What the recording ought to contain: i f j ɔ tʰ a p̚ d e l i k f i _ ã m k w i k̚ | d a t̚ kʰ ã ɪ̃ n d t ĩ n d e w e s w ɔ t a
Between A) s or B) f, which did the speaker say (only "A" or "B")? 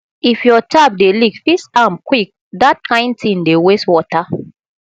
A